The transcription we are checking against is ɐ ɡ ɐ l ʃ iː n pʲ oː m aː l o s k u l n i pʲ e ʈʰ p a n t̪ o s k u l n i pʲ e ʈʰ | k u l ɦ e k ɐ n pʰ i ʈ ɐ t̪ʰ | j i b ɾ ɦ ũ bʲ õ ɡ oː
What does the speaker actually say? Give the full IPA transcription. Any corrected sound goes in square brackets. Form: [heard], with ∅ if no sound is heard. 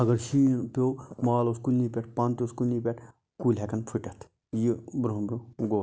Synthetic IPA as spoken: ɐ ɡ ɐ [ɾ] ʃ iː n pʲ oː m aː l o s k u l n i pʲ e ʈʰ p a n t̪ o s k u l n i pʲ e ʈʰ | k u l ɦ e k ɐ n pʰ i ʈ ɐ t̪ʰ | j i b ɾ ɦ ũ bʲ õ ɡ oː